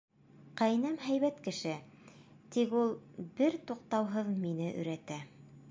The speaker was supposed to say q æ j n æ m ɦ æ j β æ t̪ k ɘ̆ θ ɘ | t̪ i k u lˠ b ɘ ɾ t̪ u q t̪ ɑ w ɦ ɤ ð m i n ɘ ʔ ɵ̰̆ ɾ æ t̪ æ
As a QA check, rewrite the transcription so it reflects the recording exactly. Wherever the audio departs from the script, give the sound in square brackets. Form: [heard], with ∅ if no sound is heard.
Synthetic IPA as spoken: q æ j n æ m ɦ æ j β æ t̪ k ɘ̆ [ʃ] ɘ | t̪ i k u lˠ b ɘ ɾ t̪ u q t̪ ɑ w ɦ ɤ ð m i n ɘ ʔ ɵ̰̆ ɾ æ t̪ æ

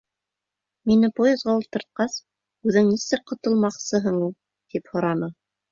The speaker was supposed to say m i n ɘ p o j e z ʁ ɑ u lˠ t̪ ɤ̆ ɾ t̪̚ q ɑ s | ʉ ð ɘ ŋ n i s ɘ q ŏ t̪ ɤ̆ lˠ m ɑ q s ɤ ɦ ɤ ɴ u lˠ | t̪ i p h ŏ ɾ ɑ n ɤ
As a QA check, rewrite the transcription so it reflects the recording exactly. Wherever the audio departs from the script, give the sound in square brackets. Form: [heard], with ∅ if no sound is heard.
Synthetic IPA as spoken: m i n ɘ p o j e z ʁ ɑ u lˠ t̪ ɤ̆ ɾ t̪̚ q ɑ s | ʉ ð ɘ ŋ n i s ɘ q ŏ t̪ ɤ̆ lˠ m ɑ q s ɤ ɦ ɤ ɴ u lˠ | t̪ i p h ŏ ɾ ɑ n ɤ

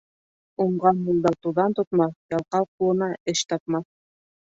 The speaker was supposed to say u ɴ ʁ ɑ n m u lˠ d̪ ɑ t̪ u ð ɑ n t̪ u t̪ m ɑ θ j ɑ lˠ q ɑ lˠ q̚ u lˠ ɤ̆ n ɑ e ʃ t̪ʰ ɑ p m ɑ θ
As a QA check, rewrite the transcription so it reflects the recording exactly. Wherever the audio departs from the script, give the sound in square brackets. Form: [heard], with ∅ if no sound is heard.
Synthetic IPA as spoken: u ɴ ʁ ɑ n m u lˠ d̪ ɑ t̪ u ð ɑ n t̪ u t̪ m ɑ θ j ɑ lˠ q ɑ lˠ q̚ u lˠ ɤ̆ n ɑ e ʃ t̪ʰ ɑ p m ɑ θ

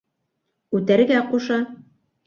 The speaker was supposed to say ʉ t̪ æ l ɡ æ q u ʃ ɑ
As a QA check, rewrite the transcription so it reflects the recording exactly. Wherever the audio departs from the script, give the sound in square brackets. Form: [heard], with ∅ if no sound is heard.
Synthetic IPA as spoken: ʉ t̪ æ [ɾ] ɡ æ q u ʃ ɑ

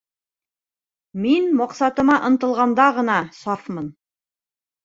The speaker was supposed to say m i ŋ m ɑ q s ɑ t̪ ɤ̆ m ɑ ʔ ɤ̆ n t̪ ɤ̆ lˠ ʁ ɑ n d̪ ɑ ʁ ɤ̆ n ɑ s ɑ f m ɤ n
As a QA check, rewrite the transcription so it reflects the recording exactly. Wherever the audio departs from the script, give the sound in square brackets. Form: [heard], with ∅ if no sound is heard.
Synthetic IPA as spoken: m i [n] m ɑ q s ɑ t̪ ɤ̆ m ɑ ʔ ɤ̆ n t̪ ɤ̆ lˠ ʁ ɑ n d̪ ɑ ʁ ɤ̆ n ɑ s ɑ f m ɤ n

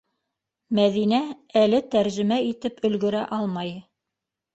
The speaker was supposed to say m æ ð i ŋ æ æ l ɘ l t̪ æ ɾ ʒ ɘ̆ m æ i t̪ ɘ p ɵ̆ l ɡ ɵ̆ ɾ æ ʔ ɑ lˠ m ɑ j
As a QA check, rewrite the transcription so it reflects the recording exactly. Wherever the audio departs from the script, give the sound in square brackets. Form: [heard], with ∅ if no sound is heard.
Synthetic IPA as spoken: m æ ð i [n] æ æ l ɘ [∅] t̪ æ ɾ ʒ ɘ̆ m æ i t̪ ɘ p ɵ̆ l ɡ ɵ̆ ɾ æ ʔ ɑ lˠ m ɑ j

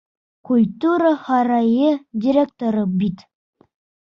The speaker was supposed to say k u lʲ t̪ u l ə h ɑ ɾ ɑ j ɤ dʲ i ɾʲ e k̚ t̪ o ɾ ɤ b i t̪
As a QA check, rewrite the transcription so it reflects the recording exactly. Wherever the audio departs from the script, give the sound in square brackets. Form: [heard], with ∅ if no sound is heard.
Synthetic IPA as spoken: k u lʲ t̪ u [ɾ] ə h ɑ ɾ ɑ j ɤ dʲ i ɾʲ e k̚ t̪ o ɾ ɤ b i t̪

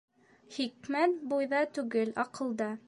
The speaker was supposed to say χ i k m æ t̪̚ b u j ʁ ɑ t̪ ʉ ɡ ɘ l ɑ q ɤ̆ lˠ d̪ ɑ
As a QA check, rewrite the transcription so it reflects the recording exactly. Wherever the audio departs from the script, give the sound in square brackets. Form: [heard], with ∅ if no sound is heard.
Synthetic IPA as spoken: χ i k m æ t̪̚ b u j [ð] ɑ t̪ ʉ ɡ ɘ l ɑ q ɤ̆ lˠ d̪ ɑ

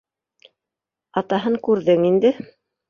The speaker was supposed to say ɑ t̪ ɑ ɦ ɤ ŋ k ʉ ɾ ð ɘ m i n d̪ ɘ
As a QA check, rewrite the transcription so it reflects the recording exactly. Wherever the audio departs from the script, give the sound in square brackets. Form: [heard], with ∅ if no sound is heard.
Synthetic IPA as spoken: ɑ t̪ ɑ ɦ ɤ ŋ k ʉ ɾ ð ɘ [ŋ] i n d̪ ɘ

